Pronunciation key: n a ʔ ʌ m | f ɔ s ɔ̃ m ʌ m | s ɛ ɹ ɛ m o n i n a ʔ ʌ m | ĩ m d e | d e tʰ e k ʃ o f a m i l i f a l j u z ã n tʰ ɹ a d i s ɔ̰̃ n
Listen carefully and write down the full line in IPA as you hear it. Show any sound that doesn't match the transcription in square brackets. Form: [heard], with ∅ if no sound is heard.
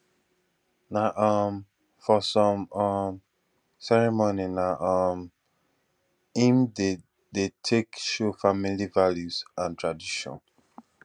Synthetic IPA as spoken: n a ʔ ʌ m | f ɔ s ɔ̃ m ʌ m | s ɛ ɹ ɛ m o n i n a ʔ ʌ m | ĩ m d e | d e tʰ e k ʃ o f a m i l i [v] a l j u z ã n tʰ ɹ a d i [ʃ] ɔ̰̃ n